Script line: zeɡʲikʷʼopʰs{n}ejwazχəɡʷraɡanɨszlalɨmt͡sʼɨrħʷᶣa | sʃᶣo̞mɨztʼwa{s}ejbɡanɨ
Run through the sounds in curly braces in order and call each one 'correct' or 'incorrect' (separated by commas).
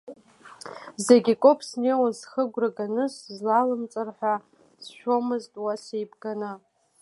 correct, correct